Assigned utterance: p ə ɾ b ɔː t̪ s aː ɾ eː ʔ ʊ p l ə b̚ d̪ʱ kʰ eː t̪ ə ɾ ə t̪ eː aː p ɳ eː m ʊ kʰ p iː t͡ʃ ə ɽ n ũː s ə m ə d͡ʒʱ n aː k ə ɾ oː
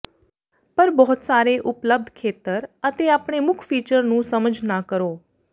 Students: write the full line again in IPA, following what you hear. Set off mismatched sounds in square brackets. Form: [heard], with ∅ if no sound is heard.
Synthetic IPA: p ə ɾ b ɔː t̪ s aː ɾ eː ʔ ʊ p l ə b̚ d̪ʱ kʰ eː t̪ ə ɾ ə t̪ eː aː p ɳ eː m ʊ kʰ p iː t͡ʃ ə [ɾ] n ũː s ə m ə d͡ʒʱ n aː k ə ɾ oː